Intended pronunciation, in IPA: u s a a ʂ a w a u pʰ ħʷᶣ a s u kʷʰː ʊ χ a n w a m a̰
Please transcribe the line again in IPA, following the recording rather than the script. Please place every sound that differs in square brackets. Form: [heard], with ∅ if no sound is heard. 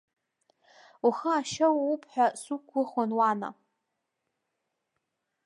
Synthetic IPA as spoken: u [χ] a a [ʃ] a w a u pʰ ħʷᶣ a s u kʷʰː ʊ χ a n w a [n] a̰